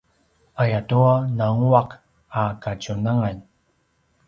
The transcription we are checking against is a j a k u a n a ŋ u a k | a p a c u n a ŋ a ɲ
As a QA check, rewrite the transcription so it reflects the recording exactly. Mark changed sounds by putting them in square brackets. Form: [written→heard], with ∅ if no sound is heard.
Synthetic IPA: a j a [k→t] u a n a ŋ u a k | a [p→k] a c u n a ŋ a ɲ